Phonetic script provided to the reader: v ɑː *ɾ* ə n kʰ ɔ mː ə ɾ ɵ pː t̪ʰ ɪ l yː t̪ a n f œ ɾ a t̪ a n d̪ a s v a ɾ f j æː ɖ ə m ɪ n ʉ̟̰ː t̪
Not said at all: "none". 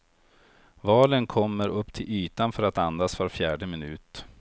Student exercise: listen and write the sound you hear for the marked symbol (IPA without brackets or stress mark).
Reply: l